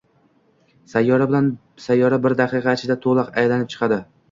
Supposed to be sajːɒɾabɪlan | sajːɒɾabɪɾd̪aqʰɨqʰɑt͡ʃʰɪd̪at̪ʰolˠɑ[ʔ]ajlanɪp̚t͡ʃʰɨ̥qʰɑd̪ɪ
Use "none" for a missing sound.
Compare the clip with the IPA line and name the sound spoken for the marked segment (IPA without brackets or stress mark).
q